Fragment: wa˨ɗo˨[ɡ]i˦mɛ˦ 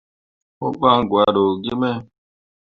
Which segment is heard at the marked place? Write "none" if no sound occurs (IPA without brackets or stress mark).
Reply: ɡ